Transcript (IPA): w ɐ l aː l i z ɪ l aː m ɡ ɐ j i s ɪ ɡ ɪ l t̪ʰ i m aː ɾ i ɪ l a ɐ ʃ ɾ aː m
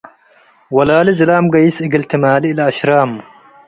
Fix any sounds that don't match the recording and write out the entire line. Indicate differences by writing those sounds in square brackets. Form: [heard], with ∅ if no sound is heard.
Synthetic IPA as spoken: w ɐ l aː l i z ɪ l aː m ɡ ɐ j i s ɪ ɡ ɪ l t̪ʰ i m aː [l] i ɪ l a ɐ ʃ ɾ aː m